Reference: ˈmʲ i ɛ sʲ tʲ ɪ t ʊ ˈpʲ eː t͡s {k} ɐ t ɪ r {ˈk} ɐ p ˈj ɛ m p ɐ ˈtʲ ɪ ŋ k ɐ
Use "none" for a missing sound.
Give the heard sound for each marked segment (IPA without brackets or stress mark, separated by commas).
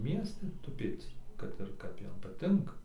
k, k